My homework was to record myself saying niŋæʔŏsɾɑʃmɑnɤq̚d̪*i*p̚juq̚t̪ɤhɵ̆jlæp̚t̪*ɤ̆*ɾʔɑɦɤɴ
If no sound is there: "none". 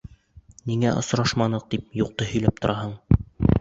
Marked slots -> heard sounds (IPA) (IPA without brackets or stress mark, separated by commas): i, ŏ